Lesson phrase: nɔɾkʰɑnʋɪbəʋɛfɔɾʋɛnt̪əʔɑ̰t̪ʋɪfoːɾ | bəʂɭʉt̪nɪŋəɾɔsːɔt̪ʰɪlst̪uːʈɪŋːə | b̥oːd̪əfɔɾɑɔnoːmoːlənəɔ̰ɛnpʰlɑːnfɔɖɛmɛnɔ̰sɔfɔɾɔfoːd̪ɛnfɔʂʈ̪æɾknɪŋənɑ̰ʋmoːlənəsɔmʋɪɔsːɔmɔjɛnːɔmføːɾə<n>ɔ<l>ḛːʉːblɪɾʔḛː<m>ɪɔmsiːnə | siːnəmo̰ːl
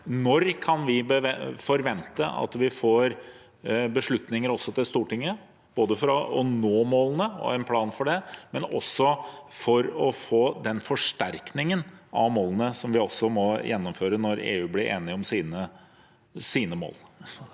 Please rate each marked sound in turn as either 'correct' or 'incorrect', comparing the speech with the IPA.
correct, incorrect, incorrect

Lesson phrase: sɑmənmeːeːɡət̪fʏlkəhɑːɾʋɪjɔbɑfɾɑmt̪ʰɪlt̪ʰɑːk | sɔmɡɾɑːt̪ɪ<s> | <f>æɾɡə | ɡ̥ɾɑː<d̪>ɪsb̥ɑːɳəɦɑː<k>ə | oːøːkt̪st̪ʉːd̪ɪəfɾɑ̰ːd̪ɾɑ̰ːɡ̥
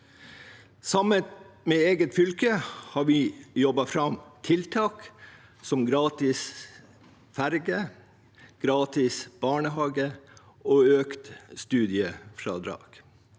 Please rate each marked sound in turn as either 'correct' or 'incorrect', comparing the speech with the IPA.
correct, correct, incorrect, incorrect

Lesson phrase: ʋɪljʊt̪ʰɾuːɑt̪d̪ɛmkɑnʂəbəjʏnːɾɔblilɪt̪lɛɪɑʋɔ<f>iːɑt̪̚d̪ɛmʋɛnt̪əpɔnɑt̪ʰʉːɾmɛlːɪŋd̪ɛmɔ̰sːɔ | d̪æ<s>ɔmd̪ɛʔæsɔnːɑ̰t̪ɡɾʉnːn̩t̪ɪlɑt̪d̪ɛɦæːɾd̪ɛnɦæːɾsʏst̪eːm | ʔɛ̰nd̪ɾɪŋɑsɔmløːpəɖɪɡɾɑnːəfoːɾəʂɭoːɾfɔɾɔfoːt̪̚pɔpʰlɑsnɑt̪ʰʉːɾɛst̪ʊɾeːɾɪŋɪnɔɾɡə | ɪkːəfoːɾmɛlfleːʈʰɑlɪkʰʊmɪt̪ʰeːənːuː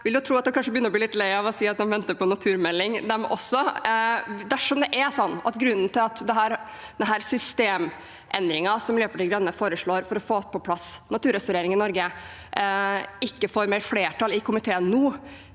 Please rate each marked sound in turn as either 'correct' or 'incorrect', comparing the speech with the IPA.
incorrect, incorrect

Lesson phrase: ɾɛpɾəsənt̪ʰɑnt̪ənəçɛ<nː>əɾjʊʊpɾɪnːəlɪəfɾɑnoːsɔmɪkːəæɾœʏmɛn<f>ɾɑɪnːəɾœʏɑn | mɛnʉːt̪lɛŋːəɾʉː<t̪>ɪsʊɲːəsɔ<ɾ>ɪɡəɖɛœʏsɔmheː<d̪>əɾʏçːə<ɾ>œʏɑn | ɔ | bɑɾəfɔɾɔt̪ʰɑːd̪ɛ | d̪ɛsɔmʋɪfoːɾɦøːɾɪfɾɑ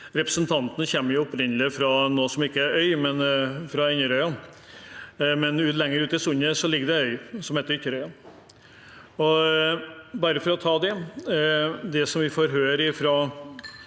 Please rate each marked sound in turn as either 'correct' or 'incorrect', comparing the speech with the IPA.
incorrect, correct, correct, incorrect, incorrect, correct

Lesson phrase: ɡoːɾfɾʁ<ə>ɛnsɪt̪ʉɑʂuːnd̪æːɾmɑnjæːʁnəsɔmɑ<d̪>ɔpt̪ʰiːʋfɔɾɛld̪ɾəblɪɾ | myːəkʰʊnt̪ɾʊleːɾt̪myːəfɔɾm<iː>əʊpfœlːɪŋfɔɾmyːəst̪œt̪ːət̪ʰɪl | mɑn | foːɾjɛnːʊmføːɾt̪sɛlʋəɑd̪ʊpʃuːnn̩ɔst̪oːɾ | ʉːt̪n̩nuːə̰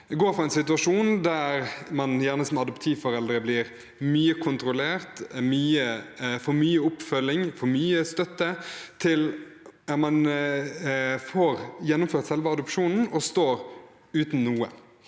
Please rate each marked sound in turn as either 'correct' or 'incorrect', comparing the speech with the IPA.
incorrect, correct, incorrect

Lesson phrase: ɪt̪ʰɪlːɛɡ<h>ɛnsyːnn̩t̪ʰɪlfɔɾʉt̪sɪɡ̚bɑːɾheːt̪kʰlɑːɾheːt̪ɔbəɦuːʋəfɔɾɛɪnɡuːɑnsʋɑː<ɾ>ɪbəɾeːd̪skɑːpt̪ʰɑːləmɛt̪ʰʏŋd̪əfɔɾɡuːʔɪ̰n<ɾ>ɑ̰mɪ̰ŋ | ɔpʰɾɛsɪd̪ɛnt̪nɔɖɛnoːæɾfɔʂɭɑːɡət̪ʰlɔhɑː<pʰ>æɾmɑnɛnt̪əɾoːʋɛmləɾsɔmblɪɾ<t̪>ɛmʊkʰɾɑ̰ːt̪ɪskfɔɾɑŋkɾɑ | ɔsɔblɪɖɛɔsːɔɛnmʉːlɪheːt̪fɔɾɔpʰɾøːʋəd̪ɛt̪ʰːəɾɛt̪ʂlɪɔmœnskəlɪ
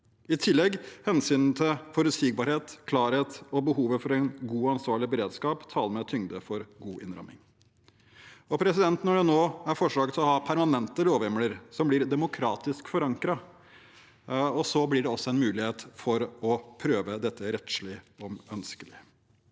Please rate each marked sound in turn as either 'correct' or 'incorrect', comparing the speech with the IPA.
correct, incorrect, correct, correct, incorrect

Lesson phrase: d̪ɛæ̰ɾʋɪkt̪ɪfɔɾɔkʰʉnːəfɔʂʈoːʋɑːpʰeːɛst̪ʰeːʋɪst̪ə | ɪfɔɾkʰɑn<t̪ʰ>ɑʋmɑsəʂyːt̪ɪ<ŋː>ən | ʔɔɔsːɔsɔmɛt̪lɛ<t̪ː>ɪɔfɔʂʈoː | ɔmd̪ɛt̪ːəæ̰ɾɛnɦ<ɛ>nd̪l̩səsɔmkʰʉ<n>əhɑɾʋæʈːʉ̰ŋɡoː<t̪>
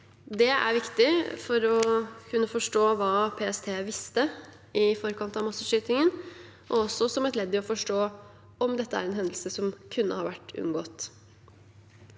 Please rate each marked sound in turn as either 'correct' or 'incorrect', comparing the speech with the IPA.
incorrect, incorrect, incorrect, correct, incorrect, correct

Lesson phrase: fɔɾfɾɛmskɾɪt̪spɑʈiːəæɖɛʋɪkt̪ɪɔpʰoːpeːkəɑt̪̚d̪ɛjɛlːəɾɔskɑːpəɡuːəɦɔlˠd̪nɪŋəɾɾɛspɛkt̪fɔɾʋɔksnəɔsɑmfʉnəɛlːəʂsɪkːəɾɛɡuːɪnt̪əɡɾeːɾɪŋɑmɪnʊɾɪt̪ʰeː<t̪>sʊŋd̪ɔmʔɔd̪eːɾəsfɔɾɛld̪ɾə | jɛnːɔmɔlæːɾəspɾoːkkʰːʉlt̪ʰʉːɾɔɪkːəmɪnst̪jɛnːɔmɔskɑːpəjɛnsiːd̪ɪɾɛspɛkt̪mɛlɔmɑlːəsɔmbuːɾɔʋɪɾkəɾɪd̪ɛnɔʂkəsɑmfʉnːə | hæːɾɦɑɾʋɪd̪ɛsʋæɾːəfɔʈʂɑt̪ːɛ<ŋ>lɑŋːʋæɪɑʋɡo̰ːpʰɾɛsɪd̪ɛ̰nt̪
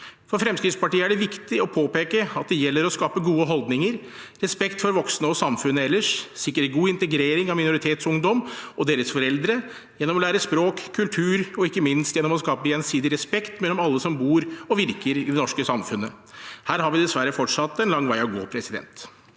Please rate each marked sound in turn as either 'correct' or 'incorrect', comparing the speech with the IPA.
correct, incorrect

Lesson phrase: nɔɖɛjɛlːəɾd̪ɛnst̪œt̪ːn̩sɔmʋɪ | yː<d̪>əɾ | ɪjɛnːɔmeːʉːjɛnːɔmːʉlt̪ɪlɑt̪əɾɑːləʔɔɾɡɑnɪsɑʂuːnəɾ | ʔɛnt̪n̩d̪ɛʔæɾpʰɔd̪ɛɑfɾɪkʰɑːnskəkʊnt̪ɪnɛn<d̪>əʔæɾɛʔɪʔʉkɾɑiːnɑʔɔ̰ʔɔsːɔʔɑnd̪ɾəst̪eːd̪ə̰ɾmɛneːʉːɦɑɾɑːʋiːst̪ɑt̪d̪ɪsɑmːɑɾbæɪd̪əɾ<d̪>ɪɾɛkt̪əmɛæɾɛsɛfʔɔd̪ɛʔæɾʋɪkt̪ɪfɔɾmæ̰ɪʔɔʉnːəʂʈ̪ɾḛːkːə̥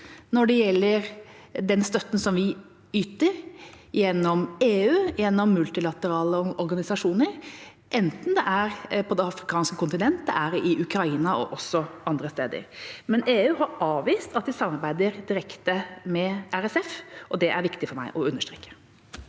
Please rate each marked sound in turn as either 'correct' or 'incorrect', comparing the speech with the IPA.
incorrect, incorrect, correct

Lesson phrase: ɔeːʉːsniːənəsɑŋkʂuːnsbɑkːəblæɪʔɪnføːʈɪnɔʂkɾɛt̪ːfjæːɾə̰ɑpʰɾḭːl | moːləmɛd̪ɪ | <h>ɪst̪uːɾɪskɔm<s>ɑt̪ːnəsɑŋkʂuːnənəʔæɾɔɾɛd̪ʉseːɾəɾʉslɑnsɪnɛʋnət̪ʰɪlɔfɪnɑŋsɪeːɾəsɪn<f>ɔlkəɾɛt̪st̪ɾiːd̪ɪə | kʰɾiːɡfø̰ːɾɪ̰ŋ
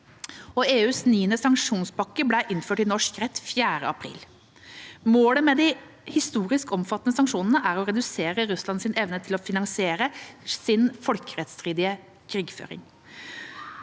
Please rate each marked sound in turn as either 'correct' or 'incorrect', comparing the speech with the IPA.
correct, incorrect, correct

